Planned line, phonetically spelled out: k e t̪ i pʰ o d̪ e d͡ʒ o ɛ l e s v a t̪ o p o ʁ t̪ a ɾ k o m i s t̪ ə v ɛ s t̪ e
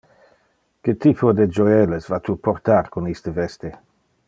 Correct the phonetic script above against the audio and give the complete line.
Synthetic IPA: k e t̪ i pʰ o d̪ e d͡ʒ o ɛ l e s v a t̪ u p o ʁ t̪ a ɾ k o n i s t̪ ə v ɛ s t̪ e